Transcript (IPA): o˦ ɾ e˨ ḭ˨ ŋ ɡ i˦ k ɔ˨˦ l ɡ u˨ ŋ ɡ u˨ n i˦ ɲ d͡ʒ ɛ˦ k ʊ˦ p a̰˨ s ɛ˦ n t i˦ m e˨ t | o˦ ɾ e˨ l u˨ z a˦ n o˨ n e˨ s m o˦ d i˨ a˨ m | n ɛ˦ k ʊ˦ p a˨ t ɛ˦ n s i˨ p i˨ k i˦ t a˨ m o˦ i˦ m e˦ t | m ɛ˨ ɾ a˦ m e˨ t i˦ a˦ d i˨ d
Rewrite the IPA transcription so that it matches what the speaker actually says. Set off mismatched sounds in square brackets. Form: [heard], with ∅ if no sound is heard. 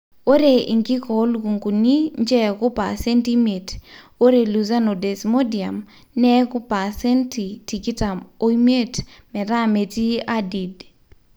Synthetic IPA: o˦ ɾ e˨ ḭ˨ ŋ ɡ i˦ k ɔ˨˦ l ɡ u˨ ŋ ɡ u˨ n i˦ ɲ d͡ʒ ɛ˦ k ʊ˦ p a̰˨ s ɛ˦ n t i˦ m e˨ t | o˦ ɾ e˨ l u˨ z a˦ n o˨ [d] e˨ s m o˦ d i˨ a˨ m | n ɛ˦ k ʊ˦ p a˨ [s] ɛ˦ n [t] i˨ [t] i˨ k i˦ t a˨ m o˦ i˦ m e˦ t | m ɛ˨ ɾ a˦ m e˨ t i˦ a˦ d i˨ d

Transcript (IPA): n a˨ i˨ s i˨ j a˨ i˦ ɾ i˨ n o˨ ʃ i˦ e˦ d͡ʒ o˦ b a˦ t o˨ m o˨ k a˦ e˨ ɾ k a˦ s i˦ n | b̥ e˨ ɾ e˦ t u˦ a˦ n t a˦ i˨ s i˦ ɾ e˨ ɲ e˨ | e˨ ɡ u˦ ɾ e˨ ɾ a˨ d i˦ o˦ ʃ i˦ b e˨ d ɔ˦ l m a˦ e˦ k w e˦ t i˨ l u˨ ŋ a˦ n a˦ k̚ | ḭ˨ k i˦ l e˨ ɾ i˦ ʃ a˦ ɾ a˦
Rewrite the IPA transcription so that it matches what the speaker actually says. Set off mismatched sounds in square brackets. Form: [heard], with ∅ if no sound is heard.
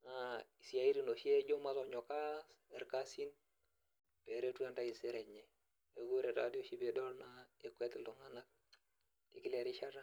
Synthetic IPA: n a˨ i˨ s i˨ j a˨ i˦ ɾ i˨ n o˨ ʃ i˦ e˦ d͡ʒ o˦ [m] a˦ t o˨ [ɲ] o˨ k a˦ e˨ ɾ k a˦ s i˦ n | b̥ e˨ ɾ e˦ t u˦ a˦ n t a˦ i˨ s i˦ ɾ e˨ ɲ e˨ | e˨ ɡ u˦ ɾ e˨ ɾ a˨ d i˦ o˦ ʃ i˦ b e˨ d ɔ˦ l [n] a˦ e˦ k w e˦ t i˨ l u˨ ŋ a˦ n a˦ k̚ | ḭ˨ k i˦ l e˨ ɾ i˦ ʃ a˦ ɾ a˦

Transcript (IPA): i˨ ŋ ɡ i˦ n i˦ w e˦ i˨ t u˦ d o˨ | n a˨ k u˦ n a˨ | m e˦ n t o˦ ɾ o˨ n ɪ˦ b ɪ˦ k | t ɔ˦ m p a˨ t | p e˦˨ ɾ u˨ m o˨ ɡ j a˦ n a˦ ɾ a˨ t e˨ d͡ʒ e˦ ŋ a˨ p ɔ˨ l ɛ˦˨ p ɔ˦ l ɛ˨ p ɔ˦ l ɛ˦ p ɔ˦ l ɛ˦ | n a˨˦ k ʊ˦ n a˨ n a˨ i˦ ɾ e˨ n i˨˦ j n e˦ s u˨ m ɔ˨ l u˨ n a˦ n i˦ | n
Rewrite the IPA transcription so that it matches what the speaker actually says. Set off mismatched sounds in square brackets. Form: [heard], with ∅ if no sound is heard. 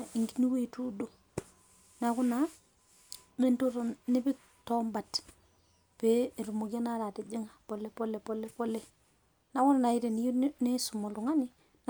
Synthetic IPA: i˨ ŋ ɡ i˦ n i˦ w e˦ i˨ t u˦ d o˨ | n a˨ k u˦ n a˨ | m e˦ n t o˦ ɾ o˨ n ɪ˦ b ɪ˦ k | t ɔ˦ m [b] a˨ t | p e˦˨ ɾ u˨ m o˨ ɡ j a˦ n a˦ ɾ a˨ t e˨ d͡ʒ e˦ ŋ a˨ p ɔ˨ l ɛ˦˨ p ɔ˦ l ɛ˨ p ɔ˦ l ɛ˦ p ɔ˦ l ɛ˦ | n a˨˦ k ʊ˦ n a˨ n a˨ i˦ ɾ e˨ n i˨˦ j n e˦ s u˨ m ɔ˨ l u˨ [ŋ] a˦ n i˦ | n

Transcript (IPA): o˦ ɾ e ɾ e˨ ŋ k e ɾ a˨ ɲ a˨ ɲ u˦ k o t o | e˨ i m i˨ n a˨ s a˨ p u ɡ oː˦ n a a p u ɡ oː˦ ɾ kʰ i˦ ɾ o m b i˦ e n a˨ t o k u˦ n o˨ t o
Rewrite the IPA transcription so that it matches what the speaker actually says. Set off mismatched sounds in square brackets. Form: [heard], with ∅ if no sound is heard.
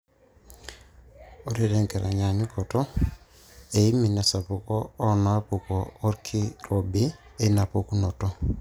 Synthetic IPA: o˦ ɾ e ɾ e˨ ŋ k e ɾ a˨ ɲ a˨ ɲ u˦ k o t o | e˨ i m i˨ n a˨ s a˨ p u [k] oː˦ n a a p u [k] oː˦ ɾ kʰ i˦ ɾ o [∅] b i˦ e n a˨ [p] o k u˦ n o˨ t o

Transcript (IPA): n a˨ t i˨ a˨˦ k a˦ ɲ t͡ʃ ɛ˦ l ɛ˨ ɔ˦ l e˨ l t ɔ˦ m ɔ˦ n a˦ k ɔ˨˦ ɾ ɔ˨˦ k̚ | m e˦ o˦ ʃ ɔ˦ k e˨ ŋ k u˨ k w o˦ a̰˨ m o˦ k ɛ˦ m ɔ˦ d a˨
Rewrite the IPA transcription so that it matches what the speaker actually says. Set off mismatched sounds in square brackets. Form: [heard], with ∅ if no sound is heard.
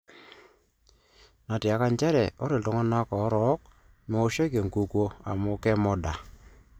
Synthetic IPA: n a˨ t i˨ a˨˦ k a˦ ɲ t͡ʃ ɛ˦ [ɾ] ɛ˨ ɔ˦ [ɾ] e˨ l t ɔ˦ [ŋ] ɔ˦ n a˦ k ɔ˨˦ ɾ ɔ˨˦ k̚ | m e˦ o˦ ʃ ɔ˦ k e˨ ŋ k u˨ k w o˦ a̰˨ m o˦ k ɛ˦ m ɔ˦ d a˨

